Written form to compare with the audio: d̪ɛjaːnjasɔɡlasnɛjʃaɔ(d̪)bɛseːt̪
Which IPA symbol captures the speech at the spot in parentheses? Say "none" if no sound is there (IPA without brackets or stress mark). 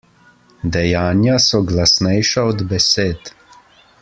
d̪